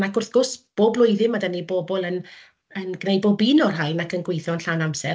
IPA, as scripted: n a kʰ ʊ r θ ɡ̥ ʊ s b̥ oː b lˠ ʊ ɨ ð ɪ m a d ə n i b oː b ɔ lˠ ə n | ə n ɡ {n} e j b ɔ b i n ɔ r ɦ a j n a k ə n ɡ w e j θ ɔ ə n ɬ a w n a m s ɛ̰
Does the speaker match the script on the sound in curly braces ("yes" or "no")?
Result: yes